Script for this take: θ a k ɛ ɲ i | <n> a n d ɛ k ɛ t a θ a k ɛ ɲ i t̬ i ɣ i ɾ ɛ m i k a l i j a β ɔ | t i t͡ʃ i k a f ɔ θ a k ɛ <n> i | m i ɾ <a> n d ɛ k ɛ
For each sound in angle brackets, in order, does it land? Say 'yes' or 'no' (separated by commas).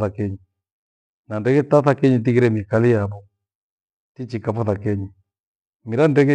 yes, no, yes